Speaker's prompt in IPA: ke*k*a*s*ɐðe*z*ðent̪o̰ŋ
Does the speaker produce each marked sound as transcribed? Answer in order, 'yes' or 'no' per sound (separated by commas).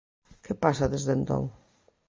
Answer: no, yes, yes